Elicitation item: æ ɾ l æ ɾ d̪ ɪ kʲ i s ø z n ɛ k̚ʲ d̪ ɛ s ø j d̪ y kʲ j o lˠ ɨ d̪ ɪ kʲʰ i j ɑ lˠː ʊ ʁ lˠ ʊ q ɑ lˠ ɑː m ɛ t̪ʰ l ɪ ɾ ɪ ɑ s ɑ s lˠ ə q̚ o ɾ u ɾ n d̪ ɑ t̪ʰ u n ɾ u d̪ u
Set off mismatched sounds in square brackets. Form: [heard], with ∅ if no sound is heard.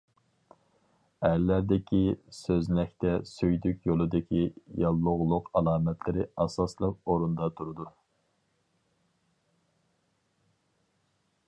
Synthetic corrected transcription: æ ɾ l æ ɾ d̪ ɪ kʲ i s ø z n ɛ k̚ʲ [t̪] ɛ s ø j d̪ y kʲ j o lˠ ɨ d̪ ɪ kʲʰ i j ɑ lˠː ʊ ʁ lˠ ʊ q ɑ lˠ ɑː m ɛ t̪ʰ l ɪ ɾ ɪ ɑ s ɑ s lˠ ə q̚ o ɾ u [∅] n d̪ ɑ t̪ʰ u [∅] ɾ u d̪ u